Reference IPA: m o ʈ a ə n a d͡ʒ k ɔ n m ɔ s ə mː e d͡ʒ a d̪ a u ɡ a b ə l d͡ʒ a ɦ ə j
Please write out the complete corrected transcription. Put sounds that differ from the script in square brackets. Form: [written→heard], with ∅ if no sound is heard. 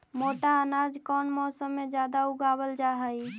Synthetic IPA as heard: m o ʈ a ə n a d͡ʒ k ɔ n m ɔ s ə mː e d͡ʒ a d̪ a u ɡ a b ə l d͡ʒ a ɦ ə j

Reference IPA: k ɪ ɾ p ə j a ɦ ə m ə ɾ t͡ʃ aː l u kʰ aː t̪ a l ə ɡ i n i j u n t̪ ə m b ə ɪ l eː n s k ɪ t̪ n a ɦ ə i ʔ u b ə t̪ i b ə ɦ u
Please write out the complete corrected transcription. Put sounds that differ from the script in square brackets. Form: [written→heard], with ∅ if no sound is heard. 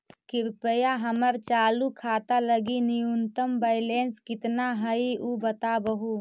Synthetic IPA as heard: k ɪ ɾ p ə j a ɦ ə m ə ɾ t͡ʃ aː l u kʰ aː t̪ a l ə ɡ i n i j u n t̪ ə m b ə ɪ l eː n s k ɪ t̪ n a ɦ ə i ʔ u b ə t̪ [i→a] b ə ɦ u

